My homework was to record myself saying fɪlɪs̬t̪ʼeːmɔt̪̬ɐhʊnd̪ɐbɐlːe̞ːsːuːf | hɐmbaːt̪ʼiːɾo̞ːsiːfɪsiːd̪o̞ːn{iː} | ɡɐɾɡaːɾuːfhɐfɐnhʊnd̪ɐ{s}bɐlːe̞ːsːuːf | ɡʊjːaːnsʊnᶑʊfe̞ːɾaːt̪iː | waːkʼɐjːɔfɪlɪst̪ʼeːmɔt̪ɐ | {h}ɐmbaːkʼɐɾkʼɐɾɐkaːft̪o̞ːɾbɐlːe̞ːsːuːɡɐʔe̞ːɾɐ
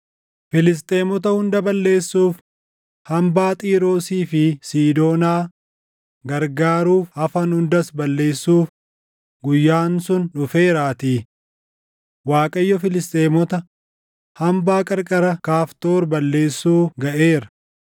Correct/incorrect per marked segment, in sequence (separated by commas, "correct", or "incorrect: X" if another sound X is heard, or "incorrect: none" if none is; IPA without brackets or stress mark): incorrect: aː, correct, correct